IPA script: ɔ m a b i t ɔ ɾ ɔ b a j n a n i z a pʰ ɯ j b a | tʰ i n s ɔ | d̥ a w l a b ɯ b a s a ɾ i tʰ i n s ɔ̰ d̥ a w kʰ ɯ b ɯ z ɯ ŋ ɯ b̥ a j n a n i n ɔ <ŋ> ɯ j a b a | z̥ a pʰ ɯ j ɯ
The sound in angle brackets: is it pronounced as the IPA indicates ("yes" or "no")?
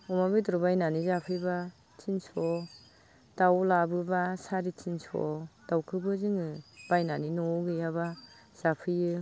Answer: no